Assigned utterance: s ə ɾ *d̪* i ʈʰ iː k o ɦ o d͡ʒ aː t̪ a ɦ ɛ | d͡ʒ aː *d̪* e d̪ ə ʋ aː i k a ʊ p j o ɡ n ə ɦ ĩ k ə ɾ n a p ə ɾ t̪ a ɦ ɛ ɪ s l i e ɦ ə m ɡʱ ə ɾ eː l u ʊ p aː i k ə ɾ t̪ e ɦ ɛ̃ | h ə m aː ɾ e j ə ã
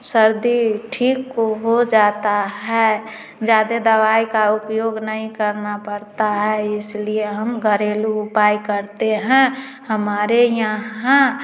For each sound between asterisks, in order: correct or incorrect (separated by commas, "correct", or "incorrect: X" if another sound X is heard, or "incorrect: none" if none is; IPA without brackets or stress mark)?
correct, correct